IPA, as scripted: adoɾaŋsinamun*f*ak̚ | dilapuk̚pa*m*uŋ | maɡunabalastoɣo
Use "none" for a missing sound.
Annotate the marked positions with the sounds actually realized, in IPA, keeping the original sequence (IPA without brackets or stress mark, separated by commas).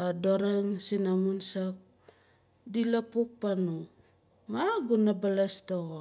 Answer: s, n